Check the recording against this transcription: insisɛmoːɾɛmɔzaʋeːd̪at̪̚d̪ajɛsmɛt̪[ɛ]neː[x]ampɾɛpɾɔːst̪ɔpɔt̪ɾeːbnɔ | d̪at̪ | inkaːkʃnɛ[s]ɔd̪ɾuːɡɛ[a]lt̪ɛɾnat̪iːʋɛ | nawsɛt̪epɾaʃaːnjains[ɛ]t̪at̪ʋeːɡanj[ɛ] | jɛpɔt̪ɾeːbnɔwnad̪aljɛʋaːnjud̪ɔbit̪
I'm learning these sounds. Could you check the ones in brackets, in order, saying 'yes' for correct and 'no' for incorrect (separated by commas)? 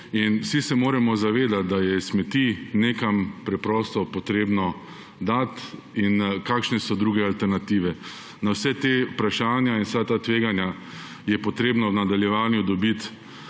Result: no, no, yes, yes, no, no